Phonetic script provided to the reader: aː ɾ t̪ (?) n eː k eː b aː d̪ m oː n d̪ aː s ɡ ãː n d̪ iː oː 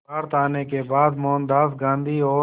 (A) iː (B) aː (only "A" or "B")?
B